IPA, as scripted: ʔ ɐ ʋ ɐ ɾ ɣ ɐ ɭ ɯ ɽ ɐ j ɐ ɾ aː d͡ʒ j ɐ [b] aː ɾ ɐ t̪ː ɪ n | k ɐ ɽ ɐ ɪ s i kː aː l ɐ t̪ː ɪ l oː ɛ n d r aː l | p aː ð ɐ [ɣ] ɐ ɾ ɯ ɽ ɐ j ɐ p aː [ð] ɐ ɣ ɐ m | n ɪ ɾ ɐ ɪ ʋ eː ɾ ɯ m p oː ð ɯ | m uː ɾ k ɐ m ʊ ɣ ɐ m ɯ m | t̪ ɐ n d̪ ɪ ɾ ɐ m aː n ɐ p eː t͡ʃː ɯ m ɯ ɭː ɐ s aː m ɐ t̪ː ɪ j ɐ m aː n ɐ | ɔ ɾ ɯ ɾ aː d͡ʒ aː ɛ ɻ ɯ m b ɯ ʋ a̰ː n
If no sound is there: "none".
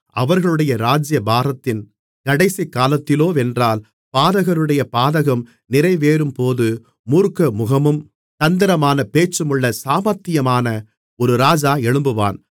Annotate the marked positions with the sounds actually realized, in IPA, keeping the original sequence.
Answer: b, ɣ, ð

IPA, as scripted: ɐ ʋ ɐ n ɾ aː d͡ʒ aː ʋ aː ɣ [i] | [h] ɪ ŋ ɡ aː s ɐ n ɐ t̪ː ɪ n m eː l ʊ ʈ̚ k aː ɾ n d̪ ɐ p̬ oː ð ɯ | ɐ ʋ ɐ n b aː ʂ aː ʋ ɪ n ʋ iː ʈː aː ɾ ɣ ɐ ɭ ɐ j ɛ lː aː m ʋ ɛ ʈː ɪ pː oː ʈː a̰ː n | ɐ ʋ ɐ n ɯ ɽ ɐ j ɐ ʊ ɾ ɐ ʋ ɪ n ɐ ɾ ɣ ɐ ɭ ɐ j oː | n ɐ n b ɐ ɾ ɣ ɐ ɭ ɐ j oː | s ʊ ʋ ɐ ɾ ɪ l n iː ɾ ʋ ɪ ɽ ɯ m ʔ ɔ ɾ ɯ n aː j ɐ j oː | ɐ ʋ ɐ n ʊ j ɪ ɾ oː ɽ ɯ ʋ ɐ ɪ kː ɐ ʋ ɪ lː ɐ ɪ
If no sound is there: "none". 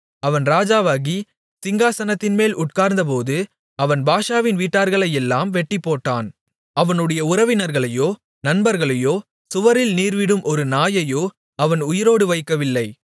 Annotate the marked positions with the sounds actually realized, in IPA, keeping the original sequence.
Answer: i, s

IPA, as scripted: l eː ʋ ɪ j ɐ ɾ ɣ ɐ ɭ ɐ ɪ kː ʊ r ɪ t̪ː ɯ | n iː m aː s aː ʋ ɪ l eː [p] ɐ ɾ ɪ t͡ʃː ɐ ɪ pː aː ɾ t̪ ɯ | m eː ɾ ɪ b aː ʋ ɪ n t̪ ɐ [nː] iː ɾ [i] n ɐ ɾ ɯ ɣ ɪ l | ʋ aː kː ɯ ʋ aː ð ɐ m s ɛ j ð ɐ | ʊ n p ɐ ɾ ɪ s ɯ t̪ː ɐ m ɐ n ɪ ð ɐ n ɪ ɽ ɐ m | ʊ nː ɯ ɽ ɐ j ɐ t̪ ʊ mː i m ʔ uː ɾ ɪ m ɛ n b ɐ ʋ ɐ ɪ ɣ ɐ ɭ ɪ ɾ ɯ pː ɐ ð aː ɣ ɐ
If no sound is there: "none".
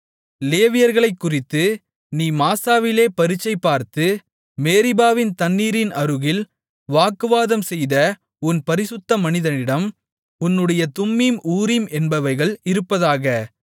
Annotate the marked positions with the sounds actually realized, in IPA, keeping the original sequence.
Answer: p, nː, ɪ

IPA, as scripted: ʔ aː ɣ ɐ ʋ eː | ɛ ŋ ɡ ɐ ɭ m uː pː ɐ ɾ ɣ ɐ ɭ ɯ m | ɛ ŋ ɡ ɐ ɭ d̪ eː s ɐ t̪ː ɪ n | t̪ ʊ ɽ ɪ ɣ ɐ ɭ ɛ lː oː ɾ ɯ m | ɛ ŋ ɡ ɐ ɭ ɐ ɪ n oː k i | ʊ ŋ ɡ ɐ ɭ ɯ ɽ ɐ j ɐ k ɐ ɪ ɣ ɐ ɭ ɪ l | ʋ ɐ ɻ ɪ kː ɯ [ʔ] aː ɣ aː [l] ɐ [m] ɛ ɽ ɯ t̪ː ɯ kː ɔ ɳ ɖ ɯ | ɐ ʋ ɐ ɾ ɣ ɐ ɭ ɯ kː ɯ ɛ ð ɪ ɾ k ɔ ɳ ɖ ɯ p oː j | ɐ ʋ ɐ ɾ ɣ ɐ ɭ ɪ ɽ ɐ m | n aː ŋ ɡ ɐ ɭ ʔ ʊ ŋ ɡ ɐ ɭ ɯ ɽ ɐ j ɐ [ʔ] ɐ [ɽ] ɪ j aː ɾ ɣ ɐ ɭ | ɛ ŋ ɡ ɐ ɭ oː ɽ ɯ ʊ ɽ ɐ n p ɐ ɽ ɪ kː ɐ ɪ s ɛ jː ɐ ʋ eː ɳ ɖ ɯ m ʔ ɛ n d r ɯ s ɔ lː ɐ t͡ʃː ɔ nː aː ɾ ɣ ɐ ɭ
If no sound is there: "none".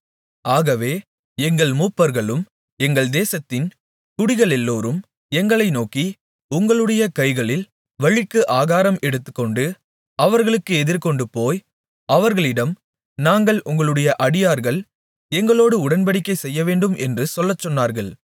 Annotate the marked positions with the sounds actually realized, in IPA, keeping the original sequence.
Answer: ʔ, ɾ, m, ʔ, ɽ

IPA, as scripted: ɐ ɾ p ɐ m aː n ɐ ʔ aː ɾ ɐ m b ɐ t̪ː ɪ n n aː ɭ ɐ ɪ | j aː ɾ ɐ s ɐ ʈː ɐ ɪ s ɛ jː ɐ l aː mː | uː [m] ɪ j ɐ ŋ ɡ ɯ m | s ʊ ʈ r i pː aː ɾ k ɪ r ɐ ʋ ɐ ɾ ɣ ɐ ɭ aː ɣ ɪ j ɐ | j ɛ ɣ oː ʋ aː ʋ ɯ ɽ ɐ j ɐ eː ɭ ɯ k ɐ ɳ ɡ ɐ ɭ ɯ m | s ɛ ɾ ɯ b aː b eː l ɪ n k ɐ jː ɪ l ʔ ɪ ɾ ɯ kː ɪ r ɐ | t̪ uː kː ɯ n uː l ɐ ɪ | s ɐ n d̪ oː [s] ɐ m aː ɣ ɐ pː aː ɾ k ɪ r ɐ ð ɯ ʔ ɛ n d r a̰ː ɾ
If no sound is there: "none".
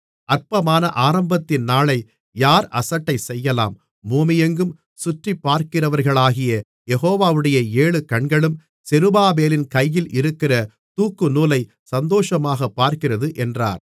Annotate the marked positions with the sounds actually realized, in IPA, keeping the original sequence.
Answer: m, ʂ

